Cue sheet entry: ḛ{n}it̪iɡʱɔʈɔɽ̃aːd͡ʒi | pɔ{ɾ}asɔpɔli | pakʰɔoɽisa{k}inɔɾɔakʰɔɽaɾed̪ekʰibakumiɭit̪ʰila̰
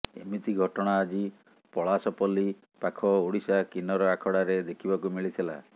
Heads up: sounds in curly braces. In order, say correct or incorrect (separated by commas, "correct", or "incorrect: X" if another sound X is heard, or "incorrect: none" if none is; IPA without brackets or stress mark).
incorrect: m, incorrect: ɭ, correct